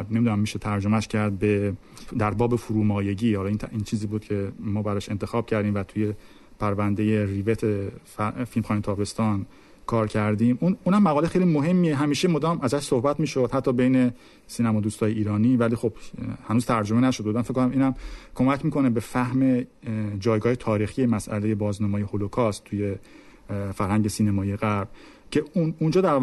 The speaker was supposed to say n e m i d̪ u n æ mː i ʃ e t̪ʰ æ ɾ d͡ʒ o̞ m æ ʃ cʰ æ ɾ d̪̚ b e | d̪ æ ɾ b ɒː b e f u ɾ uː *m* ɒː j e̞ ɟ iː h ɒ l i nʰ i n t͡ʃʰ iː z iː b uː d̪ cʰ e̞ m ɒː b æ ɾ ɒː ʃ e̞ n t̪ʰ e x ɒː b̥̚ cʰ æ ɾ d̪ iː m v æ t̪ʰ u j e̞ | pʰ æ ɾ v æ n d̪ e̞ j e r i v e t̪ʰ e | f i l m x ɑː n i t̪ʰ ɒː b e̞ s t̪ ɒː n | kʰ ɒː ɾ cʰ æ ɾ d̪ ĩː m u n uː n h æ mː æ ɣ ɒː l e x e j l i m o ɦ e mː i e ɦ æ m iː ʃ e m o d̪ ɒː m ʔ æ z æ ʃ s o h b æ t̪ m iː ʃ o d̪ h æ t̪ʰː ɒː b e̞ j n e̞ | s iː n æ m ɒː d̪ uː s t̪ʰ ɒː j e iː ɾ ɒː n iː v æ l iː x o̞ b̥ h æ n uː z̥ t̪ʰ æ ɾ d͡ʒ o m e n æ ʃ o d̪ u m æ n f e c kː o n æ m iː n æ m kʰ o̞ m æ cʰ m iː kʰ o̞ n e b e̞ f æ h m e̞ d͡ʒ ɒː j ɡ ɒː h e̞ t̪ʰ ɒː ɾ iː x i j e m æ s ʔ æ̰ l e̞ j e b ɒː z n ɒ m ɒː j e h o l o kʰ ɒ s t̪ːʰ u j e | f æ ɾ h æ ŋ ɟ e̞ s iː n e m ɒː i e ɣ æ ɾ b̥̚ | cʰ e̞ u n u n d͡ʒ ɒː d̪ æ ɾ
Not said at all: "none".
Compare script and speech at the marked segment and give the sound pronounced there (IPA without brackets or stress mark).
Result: m